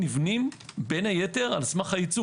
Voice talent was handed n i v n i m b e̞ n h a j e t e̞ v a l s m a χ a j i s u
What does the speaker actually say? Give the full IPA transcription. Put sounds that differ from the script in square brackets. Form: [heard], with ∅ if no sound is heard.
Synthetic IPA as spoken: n i v n i m b e̞ n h a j e t e̞ [ʁ] a l s m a χ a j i [t͡s] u